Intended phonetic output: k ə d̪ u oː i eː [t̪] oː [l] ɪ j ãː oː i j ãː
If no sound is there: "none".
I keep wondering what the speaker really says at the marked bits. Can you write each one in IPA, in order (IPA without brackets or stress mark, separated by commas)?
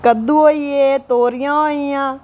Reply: t̪, ɾ